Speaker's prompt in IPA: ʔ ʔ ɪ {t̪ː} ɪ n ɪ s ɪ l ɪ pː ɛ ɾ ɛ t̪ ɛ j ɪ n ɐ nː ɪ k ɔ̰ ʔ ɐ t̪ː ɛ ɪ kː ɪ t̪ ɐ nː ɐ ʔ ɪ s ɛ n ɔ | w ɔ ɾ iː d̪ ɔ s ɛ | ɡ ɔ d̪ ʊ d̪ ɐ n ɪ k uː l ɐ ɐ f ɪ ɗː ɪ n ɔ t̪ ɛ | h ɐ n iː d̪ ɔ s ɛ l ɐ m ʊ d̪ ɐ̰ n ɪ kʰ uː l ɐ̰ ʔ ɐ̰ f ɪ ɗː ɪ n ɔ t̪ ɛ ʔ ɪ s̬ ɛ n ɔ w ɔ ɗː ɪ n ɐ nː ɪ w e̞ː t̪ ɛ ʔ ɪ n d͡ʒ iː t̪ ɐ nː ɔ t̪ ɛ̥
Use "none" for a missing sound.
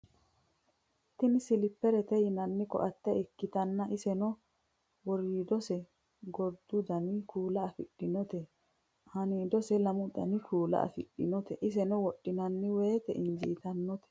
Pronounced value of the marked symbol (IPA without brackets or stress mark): t̪ː